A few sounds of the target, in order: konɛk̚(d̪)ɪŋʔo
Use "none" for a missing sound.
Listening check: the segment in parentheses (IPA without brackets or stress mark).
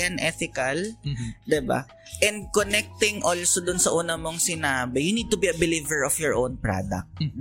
t̪